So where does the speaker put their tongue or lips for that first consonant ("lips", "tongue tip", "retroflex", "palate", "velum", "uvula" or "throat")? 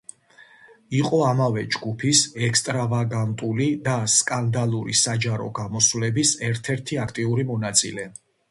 uvula